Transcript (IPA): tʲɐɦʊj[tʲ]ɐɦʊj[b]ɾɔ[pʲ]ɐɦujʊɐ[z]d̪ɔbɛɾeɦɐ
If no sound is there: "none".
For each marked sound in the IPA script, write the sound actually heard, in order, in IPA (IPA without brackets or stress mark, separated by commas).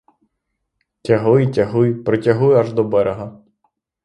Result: tʲ, p, tʲ, ʒ